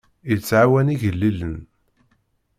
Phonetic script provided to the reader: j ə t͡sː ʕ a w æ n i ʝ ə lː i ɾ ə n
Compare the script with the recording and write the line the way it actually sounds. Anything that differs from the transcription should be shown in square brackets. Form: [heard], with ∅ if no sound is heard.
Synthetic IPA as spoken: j ə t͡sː ʕ a w æ n i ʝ ə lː i [l] ə n